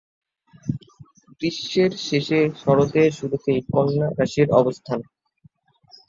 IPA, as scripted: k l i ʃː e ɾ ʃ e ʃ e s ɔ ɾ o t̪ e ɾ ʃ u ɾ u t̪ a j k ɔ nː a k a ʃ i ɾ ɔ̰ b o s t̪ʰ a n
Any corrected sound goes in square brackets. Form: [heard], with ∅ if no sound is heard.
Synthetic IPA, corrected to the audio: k [ɾ] i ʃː e ɾ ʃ e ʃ e [ʃ] ɔ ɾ o t̪ e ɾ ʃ u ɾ u t̪ [e] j k ɔ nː a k a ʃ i ɾ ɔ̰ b o s t̪ʰ a n

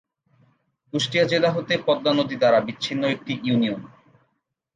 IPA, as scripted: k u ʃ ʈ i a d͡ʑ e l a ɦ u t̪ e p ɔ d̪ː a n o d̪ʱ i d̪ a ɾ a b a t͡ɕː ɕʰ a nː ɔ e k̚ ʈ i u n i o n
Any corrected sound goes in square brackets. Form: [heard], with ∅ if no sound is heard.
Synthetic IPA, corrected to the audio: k u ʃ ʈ i a d͡ʑ e l a ɦ [o] t̪ e p ɔ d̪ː a n o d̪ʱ i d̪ a ɾ a b [i] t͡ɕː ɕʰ [i] nː [o] e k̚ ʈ i u n i o n

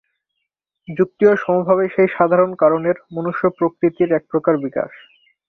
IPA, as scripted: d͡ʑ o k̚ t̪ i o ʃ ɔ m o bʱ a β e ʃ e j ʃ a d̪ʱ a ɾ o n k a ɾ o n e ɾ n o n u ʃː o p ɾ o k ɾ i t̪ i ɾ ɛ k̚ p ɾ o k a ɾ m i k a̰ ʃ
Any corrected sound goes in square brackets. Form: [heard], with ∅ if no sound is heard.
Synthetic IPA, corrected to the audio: d͡ʑ [u] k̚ t̪ i o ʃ ɔ m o bʱ a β e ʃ e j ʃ a d̪ʱ a ɾ o n k a ɾ o n e ɾ [m] o n u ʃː o p ɾ o k ɾ i t̪ i ɾ ɛ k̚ p ɾ o k a ɾ [b] i k a̰ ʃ

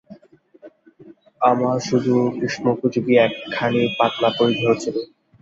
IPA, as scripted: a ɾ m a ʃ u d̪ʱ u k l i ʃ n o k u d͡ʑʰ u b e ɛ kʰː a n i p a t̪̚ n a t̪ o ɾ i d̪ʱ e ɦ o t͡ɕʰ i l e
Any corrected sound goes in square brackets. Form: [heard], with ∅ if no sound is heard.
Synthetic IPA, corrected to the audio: a [∅] m a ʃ u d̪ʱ u k [ɾ] i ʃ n o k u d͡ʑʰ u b [i] ɛ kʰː a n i p a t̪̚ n a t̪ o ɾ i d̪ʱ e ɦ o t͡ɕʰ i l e

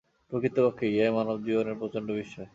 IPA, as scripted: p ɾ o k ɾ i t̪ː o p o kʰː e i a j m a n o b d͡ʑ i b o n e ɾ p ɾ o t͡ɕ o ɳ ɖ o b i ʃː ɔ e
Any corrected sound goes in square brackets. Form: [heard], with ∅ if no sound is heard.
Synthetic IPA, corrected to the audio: p ɾ o k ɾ i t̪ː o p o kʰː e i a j m a n o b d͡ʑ i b o n e ɾ p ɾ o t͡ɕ o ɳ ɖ o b i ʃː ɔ e

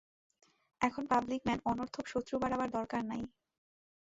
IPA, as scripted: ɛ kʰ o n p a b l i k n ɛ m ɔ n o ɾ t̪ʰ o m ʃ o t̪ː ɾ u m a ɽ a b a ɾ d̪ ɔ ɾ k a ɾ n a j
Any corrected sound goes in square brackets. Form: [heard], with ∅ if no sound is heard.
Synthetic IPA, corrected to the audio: ɛ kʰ o n p a b l i k [m] ɛ [n] ɔ n o ɾ t̪ʰ o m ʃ o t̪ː ɾ u [b] a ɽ a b a ɾ d̪ ɔ ɾ k a ɾ n a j

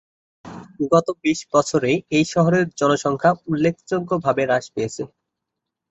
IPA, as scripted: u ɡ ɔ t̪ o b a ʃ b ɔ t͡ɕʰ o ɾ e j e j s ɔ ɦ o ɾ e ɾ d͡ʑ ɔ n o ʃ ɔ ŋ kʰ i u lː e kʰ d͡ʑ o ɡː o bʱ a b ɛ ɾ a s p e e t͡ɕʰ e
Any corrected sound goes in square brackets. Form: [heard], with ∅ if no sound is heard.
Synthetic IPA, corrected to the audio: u ɡ ɔ t̪ o b [i] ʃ b ɔ t͡ɕʰ o ɾ e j e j [ʃ] ɔ ɦ o ɾ e ɾ d͡ʑ ɔ n o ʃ ɔ ŋ kʰ [a] u lː e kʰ d͡ʑ o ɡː o bʱ a b [e] ɾ a [ʃ] p e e t͡ɕʰ e

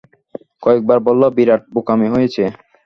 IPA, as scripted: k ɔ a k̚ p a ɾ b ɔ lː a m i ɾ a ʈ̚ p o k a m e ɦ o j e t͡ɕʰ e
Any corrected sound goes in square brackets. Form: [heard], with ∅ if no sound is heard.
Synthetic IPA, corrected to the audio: k ɔ [e] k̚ [b] a ɾ b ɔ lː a [b] i ɾ a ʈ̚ [b] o k a m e ɦ o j e t͡ɕʰ e

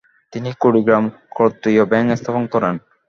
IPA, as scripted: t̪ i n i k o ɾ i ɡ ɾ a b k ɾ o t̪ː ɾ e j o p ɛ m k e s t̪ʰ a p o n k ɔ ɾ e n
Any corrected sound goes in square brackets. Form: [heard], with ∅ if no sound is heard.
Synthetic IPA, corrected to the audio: t̪ i n i k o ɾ i ɡ ɾ a [m] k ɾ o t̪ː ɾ [i] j o [b] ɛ [ŋ] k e s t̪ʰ a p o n k ɔ ɾ e n

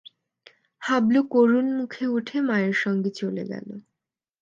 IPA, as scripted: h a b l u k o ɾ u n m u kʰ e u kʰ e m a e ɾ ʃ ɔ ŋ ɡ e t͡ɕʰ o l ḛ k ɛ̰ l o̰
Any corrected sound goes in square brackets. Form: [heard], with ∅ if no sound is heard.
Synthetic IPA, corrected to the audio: h a b l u k o ɾ u n m u kʰ e u [ʈʰ] e m a e ɾ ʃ ɔ ŋ ɡ e [t͡ɕ] o l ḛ [ɡ] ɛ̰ l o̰

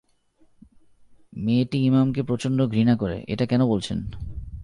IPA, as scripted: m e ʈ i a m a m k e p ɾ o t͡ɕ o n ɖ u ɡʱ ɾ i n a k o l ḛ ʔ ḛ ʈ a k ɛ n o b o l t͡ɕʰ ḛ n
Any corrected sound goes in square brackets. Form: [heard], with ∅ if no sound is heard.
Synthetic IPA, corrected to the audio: m e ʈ i [i] m a m k e p ɾ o t͡ɕ o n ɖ [o] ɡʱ ɾ i n a k o [ɾ] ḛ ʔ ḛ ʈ a k ɛ n o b o l t͡ɕʰ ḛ n

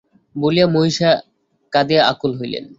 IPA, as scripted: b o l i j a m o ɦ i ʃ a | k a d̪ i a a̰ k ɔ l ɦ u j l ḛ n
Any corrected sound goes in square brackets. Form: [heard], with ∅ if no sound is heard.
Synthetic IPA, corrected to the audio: b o l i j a m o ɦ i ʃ a | k a d̪ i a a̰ k [u] l ɦ [o] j l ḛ n

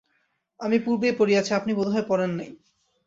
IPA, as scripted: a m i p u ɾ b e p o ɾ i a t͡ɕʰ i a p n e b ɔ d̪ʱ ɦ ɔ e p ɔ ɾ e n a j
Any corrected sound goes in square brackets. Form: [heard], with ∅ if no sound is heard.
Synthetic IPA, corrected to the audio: a m i p u ɾ b e p o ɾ i a t͡ɕʰ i a p n [i] b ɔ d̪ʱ ɦ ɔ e p ɔ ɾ e [nː] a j

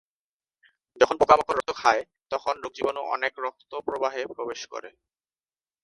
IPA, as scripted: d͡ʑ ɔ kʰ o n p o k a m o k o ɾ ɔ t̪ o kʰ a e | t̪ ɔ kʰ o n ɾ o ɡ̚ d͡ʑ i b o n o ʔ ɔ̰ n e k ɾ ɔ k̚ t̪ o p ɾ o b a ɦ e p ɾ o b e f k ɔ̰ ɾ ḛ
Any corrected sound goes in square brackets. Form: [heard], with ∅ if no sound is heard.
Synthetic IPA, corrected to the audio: d͡ʑ ɔ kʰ o n p o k a m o k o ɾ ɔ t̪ o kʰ a e | t̪ ɔ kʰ o n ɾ o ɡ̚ d͡ʑ i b o n o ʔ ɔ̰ n e k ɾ ɔ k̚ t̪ o p ɾ o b a ɦ e p ɾ o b e [ʃ] k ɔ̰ ɾ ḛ

